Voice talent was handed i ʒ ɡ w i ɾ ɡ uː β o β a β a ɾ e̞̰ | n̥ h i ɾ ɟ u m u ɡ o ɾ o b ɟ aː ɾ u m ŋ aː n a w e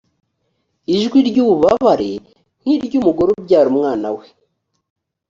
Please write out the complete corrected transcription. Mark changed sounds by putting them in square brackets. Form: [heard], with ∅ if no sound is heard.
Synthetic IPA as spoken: i ʒ ɡ w i ɾ [ɟ] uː β [u] β a β a ɾ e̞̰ | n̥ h i ɾ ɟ u m u ɡ o ɾ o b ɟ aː ɾ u m ŋ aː n a w e

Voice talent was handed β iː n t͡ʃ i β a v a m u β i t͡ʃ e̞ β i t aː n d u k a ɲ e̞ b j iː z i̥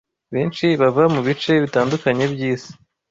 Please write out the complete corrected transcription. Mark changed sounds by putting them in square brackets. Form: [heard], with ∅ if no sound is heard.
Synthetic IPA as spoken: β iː n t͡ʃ i β a v a m u β i t͡ʃ e̞ β i t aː n d u k a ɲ e̞ b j iː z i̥

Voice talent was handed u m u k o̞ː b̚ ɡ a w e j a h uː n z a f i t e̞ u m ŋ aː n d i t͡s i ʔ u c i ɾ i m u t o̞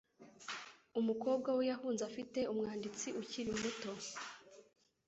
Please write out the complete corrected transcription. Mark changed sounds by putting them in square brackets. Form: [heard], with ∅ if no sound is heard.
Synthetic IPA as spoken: u m u k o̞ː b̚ ɡ a w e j a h uː n z a f i t e̞ u m ŋ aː n d i t͡s i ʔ u c i ɾ i m u t o̞

